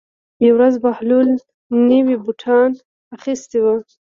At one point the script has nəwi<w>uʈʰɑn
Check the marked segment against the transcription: incorrect: b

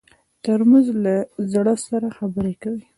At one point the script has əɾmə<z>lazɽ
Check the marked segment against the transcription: correct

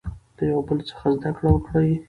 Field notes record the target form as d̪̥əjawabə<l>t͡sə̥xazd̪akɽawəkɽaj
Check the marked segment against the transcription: correct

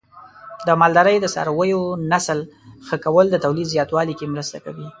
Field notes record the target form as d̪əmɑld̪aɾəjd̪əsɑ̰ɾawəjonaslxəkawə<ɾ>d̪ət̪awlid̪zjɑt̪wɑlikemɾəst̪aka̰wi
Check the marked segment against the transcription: incorrect: l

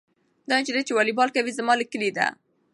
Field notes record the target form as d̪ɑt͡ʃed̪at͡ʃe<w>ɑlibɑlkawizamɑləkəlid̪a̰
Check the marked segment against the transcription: correct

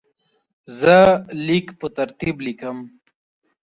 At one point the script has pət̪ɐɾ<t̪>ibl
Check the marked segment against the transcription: correct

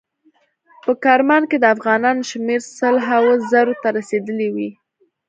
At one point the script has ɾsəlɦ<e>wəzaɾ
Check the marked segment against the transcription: incorrect: a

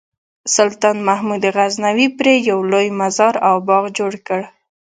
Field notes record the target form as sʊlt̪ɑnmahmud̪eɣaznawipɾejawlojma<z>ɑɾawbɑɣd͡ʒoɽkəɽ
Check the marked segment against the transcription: correct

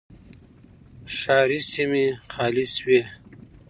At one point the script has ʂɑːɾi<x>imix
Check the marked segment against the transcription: incorrect: s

